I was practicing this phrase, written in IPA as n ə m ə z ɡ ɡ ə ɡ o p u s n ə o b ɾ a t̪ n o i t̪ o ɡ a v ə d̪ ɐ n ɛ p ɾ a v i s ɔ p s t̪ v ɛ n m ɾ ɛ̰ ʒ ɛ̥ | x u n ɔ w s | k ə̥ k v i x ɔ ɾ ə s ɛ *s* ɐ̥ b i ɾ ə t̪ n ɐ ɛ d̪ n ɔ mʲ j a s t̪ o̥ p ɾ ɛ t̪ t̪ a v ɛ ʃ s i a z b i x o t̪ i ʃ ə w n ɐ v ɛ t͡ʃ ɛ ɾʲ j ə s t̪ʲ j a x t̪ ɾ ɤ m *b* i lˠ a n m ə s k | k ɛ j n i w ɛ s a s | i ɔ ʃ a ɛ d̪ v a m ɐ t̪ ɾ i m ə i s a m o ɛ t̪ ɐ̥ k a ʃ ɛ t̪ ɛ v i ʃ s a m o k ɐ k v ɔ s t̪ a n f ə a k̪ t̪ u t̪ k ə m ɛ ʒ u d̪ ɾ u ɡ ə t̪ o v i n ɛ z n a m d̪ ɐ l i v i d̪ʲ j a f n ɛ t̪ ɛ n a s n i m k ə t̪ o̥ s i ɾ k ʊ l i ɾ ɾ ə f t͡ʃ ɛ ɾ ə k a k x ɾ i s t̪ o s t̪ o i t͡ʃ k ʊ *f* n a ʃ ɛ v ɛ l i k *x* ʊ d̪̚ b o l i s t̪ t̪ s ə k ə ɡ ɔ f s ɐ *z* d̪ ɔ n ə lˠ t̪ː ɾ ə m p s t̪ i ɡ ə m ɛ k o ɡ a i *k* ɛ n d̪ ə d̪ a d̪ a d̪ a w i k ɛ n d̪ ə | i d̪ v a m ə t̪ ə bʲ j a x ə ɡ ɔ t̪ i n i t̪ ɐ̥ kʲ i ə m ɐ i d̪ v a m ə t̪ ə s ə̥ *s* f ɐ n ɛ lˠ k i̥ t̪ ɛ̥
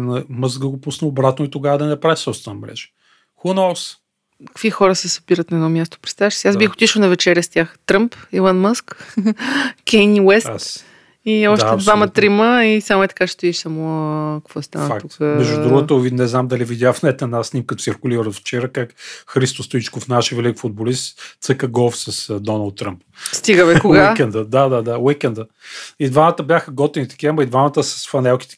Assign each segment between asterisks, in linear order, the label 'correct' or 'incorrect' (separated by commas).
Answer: correct, incorrect, correct, incorrect, incorrect, correct, correct